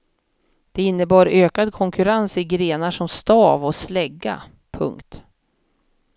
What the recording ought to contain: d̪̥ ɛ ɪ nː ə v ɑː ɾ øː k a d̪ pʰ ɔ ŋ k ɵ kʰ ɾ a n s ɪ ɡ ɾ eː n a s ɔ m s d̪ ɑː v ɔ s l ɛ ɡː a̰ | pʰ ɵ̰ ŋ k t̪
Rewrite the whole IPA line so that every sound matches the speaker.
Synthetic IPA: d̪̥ ɛ ɪ nː ə b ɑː ɾ øː k a d̪ kʰ ɔ ŋ k ɵ ɾ a n s ɪ ɡ ɾ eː n a ʂ ɔ m s t̪ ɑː v ɔ s l ɛ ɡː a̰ | pʰ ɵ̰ ŋ k t̪